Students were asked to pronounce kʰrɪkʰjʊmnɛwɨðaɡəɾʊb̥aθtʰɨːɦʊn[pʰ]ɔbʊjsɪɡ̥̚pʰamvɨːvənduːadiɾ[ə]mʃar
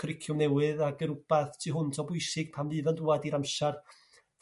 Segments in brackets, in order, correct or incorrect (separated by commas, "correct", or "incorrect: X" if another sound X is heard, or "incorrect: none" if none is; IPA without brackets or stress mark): incorrect: tʰ, incorrect: a